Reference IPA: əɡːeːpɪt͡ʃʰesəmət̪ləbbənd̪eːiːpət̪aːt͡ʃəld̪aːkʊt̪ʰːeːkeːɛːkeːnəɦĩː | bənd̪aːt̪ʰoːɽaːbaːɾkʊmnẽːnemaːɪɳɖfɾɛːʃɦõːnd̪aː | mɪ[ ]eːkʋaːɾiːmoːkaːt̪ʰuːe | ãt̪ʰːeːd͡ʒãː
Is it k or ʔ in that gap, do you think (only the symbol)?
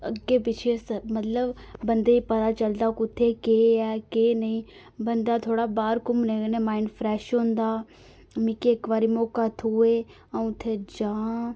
k